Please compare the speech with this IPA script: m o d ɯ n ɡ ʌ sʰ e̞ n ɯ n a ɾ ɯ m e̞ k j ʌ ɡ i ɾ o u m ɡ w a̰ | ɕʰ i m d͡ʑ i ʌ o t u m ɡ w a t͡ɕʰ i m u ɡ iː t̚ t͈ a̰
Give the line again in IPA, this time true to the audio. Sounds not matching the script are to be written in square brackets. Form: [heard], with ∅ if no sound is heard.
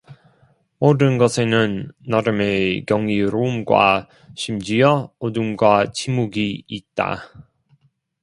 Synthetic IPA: m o d ɯ n ɡ ʌ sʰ e̞ n ɯ [nː] a ɾ ɯ m e̞ k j ʌ [ŋ] i ɾ o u m ɡ w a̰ | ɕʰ i m d͡ʑ i ʌ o [d] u m ɡ w a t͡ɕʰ i m u ɡ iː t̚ t͈ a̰